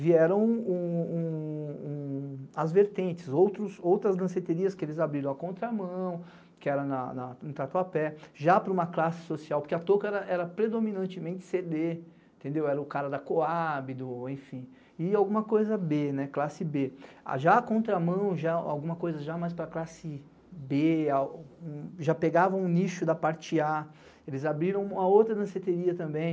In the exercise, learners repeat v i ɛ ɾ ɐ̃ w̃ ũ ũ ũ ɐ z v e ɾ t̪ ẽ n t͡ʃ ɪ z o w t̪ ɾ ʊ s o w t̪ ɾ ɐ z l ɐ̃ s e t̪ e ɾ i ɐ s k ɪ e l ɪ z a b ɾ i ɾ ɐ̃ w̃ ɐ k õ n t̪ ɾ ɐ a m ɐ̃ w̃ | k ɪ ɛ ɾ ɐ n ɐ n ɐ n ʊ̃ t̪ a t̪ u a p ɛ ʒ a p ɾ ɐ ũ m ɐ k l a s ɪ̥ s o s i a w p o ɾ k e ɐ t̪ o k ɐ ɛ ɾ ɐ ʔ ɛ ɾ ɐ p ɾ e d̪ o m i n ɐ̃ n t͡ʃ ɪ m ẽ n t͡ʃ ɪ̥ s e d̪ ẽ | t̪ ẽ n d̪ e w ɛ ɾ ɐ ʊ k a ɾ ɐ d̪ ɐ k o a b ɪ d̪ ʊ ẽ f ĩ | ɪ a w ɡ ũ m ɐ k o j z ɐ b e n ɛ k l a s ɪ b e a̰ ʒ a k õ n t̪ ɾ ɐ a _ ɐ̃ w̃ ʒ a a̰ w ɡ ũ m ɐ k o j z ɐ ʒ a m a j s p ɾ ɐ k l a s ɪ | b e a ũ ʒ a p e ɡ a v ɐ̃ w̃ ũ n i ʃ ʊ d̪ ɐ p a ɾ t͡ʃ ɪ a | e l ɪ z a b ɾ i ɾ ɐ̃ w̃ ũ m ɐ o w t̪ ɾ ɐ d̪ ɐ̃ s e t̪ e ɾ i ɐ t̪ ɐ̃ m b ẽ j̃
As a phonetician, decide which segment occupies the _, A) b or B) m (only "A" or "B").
B